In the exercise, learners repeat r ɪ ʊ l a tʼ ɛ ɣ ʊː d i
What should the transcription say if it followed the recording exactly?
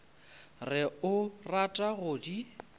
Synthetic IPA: r ɪ ʊ r a tʼ a ɣ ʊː d i